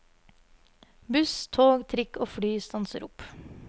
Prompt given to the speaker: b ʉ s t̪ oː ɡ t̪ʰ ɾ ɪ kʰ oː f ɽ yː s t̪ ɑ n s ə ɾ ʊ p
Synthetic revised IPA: b ʉ s t̪ʰ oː ɡ t̪ʰ ɾ ɪ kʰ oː f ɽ yː s t̪ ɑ n s ə ɾ ʊ p